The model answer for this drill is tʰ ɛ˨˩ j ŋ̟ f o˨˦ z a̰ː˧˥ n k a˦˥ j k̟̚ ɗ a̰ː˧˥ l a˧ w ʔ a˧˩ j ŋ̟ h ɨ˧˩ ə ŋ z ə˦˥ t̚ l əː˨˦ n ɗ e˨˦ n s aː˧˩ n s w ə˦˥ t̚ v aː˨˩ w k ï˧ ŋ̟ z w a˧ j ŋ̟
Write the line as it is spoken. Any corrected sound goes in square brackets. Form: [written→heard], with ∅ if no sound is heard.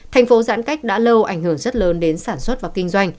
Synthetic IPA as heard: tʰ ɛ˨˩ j ŋ̟ f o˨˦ z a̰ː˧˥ n k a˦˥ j k̟̚ ɗ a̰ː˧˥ l [a˧→ə˧] w ʔ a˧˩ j ŋ̟ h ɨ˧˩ ə ŋ z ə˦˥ t̚ l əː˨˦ n ɗ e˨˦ n s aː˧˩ n s w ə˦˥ t̚ v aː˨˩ w k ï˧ ŋ̟ z w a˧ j ŋ̟